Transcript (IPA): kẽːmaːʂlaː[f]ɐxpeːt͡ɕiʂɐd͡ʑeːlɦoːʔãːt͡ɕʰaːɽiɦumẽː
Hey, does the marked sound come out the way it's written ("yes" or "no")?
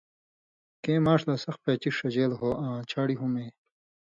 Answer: no